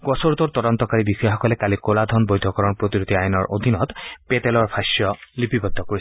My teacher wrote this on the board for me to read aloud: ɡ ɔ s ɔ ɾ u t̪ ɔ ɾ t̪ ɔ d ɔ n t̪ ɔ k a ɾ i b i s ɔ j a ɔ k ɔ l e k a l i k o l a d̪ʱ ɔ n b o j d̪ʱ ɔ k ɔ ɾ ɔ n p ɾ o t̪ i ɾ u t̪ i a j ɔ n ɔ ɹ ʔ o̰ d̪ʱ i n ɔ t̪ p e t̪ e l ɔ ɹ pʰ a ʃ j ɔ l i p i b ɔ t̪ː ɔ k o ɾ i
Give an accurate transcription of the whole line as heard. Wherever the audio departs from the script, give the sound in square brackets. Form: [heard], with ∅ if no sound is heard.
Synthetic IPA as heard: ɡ ɔ s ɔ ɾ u t̪ ɔ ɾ t̪ ɔ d ɔ n t̪ ɔ k a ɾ i b i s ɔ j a ɔ k ɔ l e k a l i k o l a d̪ʱ ɔ n b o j d̪ʱ ɔ k ɔ ɾ ɔ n p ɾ o t̪ i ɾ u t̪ i a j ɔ n ɔ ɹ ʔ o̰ d̪ʱ i n ɔ t̪ p e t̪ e l ɔ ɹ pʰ a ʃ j ɔ l i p i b ɔ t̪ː ɔ k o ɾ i

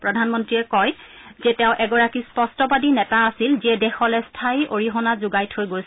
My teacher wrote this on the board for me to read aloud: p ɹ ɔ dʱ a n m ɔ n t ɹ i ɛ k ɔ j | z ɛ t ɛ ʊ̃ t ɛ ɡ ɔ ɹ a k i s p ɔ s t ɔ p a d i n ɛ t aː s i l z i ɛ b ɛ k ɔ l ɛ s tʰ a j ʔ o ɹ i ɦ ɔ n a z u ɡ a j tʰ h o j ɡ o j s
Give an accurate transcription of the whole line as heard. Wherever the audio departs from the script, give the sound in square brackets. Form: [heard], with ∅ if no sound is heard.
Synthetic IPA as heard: p ɹ ɔ dʱ a n m ɔ n t ɹ i ɛ k ɔ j | z ɛ t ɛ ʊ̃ [ʔ] ɛ ɡ ɔ ɹ a k i s p ɔ s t ɔ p a d i n ɛ t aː s i l z i ɛ [d] ɛ [x] ɔ l ɛ s tʰ a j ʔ o ɹ i ɦ ɔ n a z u ɡ a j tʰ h o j ɡ o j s

